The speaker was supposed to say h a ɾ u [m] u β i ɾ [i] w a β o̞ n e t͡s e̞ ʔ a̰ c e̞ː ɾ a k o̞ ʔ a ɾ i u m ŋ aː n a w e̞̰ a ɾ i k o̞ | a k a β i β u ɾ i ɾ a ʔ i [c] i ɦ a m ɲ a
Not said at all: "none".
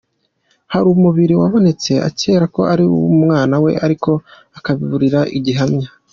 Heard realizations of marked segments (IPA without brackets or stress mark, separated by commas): m, i, ɟ